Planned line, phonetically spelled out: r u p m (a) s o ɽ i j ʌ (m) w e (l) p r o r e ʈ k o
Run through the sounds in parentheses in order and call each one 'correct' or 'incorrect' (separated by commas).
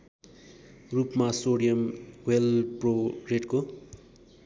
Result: correct, correct, correct